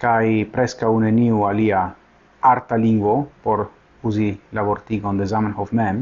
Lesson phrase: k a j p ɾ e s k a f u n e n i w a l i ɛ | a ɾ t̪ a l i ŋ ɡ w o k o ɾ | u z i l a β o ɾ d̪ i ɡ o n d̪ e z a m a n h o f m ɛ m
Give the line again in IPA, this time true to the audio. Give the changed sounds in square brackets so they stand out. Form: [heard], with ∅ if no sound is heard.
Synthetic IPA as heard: k a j p ɾ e s k a [∅] u n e n i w a l i [a] | a ɾ t̪ a l i ŋ ɡ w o [p] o ɾ | u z i l a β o ɾ [t̪] i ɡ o n d̪ e z a m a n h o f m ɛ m